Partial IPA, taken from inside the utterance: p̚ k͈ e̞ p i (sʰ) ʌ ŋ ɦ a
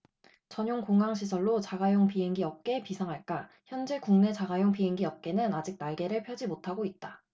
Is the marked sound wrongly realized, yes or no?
no